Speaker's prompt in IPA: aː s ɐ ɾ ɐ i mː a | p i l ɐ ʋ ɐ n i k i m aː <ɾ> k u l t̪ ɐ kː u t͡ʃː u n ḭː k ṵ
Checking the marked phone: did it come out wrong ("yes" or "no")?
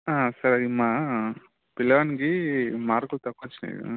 no